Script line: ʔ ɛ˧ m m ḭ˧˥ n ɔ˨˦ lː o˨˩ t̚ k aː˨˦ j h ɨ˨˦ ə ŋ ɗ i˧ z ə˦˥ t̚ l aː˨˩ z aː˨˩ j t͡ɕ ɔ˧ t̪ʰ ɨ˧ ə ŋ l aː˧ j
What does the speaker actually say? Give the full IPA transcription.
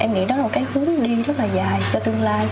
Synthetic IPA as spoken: ʔ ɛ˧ m ŋ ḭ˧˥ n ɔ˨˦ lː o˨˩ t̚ k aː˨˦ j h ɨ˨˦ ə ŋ ɗ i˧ z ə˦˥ t̚ l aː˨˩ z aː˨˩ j t͡ɕ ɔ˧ t̪ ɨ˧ ə ŋ l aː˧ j